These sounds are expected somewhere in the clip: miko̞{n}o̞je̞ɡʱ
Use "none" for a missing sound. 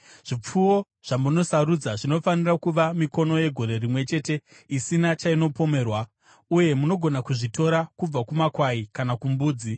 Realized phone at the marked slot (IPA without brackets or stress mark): n